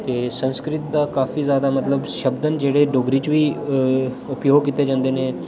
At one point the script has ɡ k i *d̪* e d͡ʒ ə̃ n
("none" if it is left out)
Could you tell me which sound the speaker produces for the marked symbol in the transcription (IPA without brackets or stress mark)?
t̪